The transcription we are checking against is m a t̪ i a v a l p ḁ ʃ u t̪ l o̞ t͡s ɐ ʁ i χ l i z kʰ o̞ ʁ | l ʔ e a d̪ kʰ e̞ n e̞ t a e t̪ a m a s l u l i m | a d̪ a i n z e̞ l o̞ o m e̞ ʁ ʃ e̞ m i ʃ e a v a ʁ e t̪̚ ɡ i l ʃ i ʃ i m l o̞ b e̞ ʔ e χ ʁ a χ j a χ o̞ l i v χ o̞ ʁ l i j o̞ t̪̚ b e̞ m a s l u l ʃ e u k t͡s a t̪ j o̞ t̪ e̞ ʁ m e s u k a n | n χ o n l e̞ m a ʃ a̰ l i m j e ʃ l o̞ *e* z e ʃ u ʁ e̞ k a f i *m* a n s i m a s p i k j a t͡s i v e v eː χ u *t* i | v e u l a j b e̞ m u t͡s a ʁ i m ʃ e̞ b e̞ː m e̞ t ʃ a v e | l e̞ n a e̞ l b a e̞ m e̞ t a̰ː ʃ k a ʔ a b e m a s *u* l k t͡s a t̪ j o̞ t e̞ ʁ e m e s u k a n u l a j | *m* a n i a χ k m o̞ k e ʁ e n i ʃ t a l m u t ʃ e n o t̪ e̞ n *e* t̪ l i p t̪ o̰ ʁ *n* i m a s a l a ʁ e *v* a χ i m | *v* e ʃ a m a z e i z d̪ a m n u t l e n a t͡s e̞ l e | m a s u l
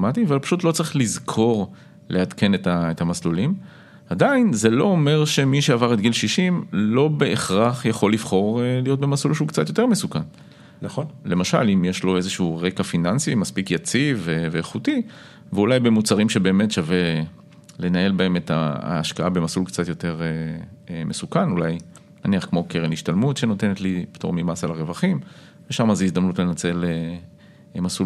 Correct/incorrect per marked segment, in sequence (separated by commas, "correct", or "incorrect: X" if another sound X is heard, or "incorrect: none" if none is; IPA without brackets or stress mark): correct, incorrect: n, correct, correct, incorrect: n, correct, incorrect: m, correct, correct